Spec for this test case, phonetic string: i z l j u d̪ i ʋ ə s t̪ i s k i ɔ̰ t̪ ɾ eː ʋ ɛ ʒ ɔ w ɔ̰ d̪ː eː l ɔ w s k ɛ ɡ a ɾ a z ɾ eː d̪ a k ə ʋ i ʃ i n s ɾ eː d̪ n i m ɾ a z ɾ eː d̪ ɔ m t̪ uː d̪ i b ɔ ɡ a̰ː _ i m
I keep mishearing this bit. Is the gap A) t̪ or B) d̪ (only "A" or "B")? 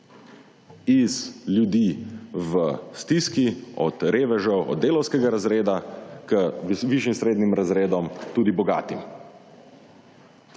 A